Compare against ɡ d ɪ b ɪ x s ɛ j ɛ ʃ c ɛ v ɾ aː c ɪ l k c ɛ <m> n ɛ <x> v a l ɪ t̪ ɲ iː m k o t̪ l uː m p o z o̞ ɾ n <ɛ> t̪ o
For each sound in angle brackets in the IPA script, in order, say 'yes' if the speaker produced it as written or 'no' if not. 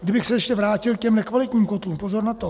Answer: yes, no, no

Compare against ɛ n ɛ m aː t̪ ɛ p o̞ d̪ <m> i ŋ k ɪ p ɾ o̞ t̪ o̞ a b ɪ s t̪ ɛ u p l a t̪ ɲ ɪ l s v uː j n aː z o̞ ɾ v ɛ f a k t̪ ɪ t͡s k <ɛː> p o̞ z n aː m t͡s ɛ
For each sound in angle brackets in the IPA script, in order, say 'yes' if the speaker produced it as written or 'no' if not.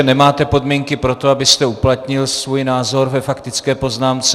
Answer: yes, yes

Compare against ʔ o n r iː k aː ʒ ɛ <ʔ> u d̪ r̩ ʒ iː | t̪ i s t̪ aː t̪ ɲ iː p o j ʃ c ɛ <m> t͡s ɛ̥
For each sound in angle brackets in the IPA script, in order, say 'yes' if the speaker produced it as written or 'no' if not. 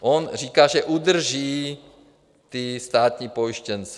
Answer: yes, no

